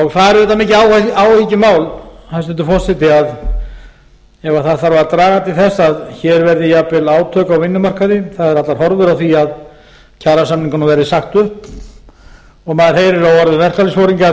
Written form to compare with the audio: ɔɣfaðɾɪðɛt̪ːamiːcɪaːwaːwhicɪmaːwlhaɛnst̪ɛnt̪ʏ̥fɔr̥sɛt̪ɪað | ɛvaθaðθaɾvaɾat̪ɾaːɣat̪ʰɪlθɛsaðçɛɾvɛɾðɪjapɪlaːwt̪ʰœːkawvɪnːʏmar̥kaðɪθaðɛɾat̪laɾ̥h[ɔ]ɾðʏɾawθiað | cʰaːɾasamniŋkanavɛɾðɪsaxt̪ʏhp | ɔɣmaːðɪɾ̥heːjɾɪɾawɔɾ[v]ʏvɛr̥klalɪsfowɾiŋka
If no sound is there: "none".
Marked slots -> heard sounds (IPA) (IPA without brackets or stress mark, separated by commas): ɔ, ð